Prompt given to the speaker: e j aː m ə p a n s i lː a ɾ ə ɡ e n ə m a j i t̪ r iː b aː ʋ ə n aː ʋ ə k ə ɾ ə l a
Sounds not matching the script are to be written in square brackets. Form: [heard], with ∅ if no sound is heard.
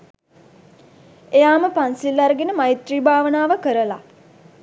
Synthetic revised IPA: e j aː m ə p a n s i lː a ɾ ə ɡ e n ə m a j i t̪ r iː b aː ʋ ə n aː ʋ ə k ə ɾ ə l a